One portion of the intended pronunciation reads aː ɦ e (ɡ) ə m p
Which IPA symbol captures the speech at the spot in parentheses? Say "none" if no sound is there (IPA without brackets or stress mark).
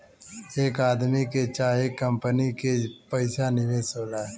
k